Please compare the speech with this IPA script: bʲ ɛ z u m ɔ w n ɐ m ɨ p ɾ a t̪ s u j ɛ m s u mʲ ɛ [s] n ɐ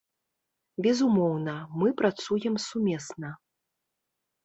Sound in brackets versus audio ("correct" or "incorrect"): correct